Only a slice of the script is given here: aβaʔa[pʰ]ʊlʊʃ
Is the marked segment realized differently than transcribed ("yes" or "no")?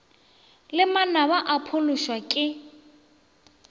no